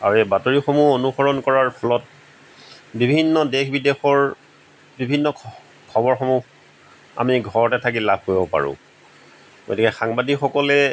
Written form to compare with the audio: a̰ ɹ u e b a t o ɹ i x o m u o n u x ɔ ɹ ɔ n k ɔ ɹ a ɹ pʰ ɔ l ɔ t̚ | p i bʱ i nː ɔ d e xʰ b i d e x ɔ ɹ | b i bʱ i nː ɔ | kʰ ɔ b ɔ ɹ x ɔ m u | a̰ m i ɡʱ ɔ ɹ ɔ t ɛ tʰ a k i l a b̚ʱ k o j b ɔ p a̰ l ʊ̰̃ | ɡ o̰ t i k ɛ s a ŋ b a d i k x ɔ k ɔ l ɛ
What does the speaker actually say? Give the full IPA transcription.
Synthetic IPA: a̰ ɹ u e b a t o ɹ i x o m u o n u x ɔ ɹ ɔ n k ɔ ɹ a ɹ pʰ ɔ l ɔ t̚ | b i bʱ i nː ɔ d e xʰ b i d e x ɔ ɹ | b i bʱ i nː ɔ | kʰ ɔ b ɔ ɹ x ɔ m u | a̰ m i ɡʱ ɔ ɹ ɔ t ɛ tʰ a k i l a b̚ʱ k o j b ɔ p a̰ ɹ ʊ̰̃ | ɡ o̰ t i k ɛ x a ŋ b a d i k x ɔ k ɔ l ɛ